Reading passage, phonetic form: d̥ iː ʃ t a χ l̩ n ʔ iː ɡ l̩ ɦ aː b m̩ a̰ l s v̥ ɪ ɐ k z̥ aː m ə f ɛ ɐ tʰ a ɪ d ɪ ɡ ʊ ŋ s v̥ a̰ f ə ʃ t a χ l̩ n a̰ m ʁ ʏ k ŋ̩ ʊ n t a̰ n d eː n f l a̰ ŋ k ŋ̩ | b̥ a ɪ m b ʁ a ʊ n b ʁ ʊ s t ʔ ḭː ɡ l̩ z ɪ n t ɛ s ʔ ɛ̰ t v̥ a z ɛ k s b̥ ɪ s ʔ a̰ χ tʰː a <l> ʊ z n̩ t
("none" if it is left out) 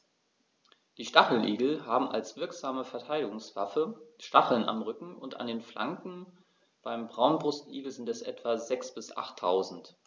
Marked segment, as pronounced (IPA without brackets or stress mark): none